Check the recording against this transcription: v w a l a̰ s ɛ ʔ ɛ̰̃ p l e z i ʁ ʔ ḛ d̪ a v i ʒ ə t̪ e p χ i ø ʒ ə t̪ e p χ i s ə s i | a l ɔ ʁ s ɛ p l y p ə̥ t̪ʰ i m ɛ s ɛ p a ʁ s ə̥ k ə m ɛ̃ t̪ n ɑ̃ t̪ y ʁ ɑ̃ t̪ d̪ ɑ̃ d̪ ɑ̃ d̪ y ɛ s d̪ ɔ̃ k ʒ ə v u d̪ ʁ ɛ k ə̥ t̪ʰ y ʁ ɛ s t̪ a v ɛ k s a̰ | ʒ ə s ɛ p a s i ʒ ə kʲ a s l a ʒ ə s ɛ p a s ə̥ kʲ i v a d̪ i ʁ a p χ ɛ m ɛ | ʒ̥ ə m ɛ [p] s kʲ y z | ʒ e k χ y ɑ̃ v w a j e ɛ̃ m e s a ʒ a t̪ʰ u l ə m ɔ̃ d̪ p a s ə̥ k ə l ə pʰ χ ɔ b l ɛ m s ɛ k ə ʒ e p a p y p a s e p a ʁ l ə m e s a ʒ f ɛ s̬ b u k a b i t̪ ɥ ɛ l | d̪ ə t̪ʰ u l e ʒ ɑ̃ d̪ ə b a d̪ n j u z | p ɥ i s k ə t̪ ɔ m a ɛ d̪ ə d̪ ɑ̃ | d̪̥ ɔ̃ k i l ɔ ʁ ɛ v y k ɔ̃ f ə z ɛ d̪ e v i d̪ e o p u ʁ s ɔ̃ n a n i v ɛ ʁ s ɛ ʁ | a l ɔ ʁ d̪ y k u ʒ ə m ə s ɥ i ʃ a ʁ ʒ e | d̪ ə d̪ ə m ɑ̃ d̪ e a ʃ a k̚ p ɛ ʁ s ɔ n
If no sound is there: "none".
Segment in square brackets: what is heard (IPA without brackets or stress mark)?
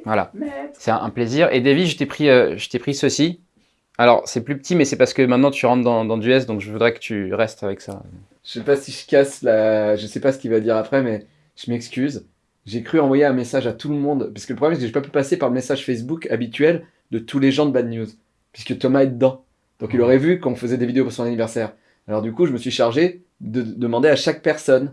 k